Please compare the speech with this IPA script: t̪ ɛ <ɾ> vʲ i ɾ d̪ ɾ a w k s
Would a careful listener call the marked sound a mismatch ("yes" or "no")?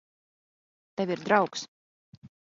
yes